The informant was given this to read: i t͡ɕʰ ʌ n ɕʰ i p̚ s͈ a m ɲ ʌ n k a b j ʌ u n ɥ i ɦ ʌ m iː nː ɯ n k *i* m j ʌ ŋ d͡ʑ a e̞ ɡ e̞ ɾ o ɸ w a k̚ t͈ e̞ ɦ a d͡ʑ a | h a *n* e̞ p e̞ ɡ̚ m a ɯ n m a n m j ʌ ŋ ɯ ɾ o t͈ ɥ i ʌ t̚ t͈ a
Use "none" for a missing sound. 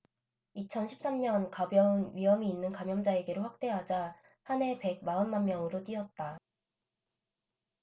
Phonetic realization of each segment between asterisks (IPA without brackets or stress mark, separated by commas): a, n